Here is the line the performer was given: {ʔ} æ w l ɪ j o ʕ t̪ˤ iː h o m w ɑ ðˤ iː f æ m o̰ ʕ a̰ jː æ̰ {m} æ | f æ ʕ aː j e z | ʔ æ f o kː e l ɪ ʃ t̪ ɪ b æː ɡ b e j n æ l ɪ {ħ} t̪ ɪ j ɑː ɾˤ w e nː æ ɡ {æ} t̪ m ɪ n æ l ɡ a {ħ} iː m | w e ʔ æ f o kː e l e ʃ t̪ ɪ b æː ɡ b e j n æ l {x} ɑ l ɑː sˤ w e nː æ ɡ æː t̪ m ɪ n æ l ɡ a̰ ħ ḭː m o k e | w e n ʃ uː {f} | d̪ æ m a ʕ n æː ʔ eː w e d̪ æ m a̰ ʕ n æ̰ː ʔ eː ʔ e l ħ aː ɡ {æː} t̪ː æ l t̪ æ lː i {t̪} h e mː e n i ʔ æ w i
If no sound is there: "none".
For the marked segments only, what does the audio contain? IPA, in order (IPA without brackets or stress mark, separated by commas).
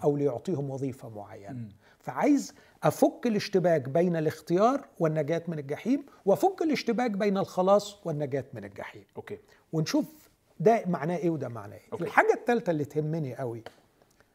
ʔ, n, x, æː, ħ, x, f, æ, t̪